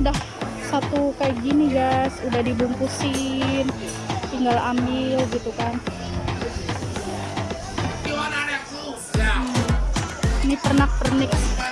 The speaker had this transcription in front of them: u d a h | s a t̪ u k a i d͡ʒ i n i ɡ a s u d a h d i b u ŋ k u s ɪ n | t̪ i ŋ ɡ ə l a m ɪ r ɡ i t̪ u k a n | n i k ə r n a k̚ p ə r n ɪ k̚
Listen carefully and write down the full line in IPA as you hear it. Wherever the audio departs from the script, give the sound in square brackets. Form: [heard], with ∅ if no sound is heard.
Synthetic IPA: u d a h | s a t̪ u k a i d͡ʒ i n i ɡ a s u d a h d i b u ŋ k u s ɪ n | t̪ i ŋ ɡ [a] l a m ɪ [l] ɡ i t̪ u k a n | n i [p] ə r n a k̚ p ə r n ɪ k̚